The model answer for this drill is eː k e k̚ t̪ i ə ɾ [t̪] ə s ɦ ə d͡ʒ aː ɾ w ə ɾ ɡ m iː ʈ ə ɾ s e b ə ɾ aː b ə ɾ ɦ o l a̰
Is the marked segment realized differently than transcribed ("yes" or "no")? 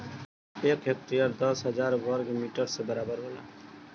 yes